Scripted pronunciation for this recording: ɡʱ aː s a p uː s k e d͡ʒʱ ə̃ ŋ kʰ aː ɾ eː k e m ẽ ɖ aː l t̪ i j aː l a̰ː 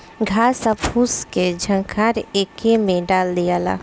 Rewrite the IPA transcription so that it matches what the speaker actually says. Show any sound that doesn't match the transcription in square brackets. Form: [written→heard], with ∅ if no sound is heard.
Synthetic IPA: ɡʱ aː s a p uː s k e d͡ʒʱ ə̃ ŋ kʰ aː ɾ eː k e m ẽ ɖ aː l [t̪→d̪] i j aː l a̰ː